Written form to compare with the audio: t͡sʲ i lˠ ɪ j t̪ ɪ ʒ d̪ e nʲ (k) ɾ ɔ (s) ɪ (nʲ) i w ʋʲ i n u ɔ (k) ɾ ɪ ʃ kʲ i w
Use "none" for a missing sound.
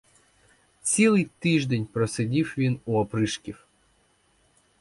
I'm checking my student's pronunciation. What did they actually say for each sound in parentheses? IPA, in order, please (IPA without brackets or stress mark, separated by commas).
p, s, dʲ, p